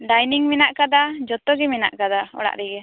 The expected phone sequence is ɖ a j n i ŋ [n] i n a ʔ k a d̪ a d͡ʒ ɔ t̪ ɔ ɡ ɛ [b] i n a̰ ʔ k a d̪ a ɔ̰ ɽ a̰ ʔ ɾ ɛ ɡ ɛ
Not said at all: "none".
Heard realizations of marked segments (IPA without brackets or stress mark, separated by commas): m, m